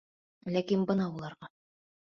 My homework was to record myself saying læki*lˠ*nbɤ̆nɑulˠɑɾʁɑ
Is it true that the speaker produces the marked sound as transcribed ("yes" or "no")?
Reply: no